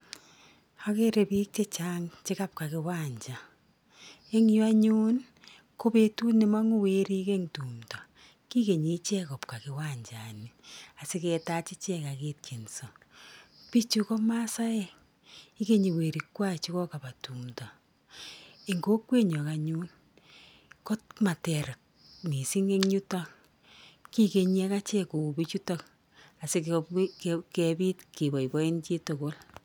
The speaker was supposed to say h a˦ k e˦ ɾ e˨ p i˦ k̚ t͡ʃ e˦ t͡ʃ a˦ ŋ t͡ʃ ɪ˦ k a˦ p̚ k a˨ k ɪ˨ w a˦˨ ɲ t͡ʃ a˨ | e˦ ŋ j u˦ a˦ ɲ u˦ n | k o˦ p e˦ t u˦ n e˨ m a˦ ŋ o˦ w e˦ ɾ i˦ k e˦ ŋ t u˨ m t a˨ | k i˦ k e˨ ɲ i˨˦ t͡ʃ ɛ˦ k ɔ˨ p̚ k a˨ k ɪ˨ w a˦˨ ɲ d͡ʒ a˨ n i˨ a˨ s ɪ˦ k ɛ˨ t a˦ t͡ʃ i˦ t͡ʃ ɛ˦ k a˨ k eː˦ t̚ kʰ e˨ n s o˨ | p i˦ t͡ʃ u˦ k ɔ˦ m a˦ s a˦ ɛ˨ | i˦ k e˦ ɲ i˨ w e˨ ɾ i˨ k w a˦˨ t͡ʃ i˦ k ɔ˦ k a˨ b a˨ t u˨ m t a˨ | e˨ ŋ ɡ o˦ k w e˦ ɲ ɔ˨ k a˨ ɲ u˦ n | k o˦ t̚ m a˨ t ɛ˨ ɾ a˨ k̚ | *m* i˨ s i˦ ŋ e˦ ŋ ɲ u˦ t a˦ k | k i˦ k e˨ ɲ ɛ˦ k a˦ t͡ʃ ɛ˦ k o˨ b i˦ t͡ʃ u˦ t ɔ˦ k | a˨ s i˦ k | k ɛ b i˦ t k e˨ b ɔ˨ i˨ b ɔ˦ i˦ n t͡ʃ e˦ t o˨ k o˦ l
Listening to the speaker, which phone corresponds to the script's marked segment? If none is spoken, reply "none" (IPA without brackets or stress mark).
n